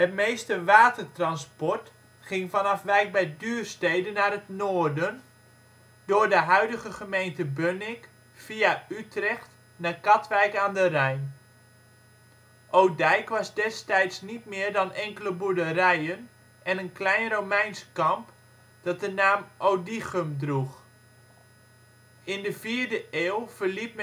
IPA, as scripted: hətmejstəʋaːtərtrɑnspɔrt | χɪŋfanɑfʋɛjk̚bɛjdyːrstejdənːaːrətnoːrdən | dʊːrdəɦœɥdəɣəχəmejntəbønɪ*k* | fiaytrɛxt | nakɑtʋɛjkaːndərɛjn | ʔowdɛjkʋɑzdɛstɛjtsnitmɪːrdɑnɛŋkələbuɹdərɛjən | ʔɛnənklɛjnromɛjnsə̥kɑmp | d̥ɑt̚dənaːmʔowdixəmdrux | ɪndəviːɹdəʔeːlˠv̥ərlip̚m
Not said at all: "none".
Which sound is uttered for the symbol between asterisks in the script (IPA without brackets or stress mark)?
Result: k